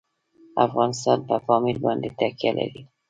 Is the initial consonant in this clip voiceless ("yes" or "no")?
yes